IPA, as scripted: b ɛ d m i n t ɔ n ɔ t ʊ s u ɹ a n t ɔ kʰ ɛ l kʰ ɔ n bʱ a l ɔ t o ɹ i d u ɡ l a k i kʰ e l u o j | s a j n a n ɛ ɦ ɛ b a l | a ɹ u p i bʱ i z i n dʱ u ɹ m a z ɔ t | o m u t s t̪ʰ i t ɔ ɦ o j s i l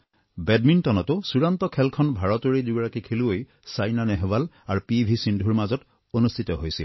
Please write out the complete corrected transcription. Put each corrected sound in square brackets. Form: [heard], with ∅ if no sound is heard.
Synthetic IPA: b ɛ d m i n t ɔ n ɔ t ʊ s u ɹ a n t ɔ kʰ ɛ l kʰ ɔ n bʱ a [ɹ] ɔ t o ɹ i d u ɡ [ɹ] a k i kʰ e l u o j | s a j n a n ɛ ɦ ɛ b a l | a ɹ u p i bʱ i [s] i n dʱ u ɹ m a z ɔ t | o [n] u [∅] s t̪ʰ i t ɔ ɦ o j s i l

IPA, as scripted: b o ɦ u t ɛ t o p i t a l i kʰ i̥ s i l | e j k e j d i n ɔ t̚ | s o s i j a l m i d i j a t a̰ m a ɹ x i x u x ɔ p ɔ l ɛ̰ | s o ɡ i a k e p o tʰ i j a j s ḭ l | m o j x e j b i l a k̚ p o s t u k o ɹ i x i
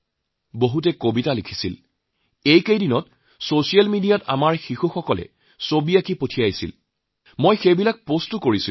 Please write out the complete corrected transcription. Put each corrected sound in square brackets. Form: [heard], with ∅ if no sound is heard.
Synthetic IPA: b o ɦ u t ɛ [k] o [b] i t a l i kʰ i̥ s i l | e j k e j d i n ɔ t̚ | s o s i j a l m i d i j a t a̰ m a ɹ x i x u x ɔ [k] ɔ l ɛ̰ | s o [b] i a k [i] p o tʰ i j a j s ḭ l | m o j x e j b i l a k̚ p o s t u k o ɹ i [s] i

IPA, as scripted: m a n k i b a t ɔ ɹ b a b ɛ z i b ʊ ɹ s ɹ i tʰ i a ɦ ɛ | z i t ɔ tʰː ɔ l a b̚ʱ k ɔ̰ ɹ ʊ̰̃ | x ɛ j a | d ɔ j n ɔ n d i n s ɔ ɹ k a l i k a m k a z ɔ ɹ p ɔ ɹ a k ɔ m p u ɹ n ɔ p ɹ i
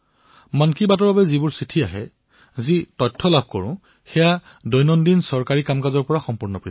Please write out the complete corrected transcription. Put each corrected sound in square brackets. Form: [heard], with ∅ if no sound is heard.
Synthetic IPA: m a n k i b a t ɔ ɹ b a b ɛ z i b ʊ ɹ s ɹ i tʰ i a ɦ ɛ | z i t ɔ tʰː ɔ l a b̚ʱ k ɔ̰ ɹ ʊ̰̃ | x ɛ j a | d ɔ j n ɔ n d i n s ɔ ɹ k a [ɹ] i k a m k a z ɔ ɹ p ɔ ɹ a [x] ɔ m p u ɹ n ɔ p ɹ i

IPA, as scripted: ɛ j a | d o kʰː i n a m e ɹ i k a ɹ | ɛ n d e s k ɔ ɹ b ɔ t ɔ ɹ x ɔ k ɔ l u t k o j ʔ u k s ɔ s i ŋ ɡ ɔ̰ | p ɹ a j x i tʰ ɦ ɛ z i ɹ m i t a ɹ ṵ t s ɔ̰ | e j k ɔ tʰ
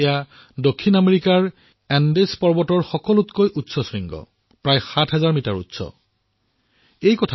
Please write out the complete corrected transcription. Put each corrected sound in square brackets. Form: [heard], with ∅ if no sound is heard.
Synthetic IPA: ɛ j a | d o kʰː i n a m e ɹ i k a ɹ | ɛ n d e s [p] ɔ ɹ b ɔ t ɔ ɹ x ɔ k ɔ l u t k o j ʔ u [t] s ɔ s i ŋ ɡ ɔ̰ | p ɹ a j x [a] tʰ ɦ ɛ z [a] ɹ m i t a ɹ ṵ t s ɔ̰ | e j k ɔ tʰ

